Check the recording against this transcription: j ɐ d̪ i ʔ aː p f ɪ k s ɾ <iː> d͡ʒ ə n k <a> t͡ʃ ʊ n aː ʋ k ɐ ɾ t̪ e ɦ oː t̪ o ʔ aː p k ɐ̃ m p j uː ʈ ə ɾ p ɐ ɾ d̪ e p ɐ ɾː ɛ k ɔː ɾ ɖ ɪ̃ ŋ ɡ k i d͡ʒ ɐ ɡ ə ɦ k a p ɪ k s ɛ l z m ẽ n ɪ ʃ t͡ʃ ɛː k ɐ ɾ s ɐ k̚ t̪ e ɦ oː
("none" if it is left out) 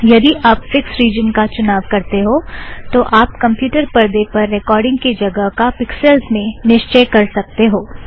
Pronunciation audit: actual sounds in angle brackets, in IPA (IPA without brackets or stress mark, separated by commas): iː, a